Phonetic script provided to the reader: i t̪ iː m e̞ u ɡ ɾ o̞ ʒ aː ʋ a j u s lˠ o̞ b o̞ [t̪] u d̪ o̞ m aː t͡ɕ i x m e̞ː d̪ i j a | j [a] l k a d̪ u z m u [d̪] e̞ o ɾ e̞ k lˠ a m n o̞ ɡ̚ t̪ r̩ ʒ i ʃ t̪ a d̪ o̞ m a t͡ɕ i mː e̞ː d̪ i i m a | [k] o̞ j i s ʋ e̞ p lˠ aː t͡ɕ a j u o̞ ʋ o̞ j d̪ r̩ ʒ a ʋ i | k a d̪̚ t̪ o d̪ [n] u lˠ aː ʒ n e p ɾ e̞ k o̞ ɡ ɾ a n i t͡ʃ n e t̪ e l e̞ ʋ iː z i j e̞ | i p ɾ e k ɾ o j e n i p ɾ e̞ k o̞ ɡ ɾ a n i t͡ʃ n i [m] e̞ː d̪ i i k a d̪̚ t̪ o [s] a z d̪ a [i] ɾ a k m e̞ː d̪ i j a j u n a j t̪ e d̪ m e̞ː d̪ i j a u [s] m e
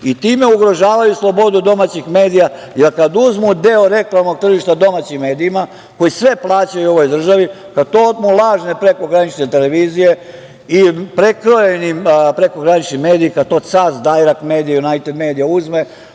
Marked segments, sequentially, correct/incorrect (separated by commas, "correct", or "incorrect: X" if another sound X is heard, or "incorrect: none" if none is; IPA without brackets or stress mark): incorrect: d̪, incorrect: e, correct, correct, incorrect: m, correct, correct, incorrect: j, incorrect: z